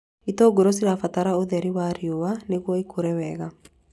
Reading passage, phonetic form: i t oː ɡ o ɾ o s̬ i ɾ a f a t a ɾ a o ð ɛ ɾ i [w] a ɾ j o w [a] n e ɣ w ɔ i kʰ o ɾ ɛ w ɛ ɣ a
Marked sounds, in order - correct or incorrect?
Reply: correct, correct

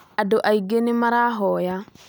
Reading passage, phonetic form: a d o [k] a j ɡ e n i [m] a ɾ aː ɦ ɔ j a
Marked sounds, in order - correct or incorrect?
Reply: incorrect: ʔ, correct

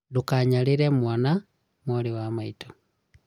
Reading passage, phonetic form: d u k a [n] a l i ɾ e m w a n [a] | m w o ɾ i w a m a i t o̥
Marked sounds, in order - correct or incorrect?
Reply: incorrect: ɲ, correct

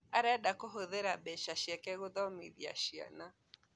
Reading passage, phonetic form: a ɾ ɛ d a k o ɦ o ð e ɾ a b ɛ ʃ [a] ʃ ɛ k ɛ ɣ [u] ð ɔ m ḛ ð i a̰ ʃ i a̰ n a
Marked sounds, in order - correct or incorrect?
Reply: correct, incorrect: o

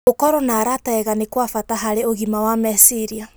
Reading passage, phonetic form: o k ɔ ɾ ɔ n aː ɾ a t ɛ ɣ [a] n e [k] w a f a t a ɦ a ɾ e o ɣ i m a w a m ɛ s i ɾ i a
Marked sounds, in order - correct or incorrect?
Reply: correct, correct

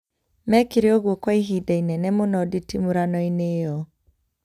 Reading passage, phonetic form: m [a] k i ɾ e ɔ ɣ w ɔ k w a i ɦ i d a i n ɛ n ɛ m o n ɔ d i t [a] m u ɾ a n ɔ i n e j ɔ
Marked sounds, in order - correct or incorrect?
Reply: incorrect: ɛ, incorrect: i

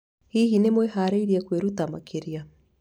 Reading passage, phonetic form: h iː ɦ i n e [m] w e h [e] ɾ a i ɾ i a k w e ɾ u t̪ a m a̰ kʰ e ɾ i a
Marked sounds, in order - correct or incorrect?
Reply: correct, incorrect: a

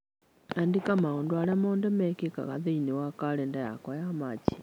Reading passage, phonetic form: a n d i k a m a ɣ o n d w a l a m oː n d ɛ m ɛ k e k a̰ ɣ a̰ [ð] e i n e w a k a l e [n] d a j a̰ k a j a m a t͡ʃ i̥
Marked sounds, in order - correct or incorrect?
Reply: correct, correct

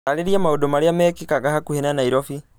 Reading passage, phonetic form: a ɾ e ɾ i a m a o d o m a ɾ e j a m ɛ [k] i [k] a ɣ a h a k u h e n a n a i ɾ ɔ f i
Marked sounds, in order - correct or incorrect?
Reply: correct, correct

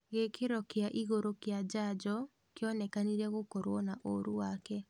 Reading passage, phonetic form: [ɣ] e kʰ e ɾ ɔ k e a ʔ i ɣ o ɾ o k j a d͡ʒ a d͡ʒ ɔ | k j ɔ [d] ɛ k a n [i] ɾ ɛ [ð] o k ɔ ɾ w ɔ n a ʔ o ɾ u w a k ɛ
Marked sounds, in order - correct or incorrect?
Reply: correct, incorrect: n, correct, incorrect: ɣ

